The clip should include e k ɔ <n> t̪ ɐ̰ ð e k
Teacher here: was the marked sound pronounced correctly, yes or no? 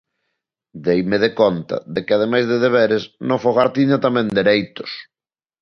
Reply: yes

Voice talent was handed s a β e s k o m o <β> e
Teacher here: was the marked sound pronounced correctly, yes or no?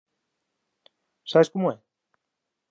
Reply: no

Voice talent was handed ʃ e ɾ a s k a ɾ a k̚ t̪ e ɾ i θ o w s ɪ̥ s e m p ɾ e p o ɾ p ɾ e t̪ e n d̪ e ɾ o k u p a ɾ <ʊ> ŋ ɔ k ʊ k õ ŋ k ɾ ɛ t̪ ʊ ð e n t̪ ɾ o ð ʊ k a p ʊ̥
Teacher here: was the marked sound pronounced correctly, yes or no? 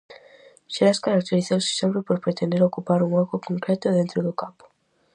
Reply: no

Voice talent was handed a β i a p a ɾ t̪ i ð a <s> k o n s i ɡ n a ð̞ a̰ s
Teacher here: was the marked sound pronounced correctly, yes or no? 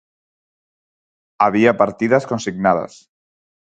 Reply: yes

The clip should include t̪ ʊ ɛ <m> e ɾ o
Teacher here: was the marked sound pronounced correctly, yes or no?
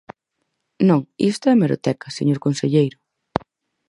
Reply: yes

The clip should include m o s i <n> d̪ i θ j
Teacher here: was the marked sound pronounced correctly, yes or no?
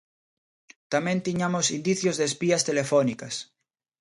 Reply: yes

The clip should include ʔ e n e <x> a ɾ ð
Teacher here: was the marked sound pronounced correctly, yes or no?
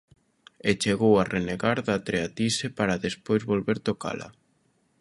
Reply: no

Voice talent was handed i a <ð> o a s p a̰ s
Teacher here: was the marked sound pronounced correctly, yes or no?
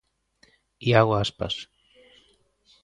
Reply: no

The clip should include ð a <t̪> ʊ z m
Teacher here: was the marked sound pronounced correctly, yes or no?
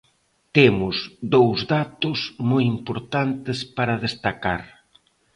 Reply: yes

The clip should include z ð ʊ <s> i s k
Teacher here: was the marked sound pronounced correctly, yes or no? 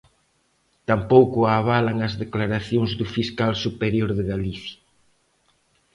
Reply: no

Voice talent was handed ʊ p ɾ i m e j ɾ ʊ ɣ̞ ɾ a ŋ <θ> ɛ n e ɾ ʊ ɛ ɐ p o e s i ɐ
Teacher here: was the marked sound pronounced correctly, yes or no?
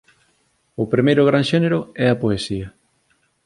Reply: no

